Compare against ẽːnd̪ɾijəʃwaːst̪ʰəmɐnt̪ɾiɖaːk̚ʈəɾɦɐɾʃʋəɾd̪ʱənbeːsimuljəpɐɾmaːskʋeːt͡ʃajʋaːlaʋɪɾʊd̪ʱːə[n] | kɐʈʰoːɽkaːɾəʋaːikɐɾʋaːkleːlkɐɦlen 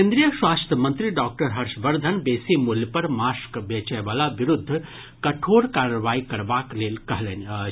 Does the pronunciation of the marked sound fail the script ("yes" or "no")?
yes